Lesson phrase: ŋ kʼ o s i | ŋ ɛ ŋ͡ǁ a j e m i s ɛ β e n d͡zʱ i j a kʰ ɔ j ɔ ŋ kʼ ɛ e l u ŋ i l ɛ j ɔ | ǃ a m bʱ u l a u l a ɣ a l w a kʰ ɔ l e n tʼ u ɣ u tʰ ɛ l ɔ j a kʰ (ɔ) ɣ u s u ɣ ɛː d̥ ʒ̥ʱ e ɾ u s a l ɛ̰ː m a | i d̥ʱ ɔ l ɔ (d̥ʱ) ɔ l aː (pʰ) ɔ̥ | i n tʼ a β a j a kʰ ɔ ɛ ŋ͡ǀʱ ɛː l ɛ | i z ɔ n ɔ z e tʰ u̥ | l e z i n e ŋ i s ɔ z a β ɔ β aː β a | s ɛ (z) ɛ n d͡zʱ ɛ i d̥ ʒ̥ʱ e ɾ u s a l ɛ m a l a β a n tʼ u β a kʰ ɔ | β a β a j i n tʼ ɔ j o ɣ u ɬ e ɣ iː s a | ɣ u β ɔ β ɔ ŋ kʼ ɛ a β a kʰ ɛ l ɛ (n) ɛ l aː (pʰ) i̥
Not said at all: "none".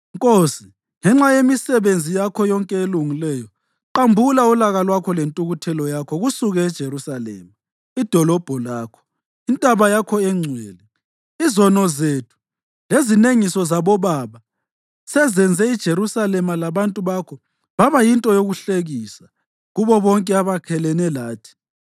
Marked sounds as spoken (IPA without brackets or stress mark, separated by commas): ɔ, b̥ʱ, kʰ, z, n, tʰ